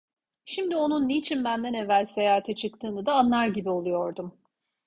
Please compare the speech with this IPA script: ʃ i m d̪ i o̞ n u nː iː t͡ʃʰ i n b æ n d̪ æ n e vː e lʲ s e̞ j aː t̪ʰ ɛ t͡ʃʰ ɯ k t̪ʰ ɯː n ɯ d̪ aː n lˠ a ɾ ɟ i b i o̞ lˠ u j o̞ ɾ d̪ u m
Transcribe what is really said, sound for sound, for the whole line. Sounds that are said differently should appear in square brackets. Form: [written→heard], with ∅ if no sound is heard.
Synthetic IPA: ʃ i m d̪ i o̞ n u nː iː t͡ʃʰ i n b æ n d̪ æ n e vː [e→æ] lʲ s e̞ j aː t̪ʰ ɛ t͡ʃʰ ɯ k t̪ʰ ɯː n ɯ d̪ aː n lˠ a ɾ ɟ i b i o̞ lˠ u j o̞ ɾ d̪ u m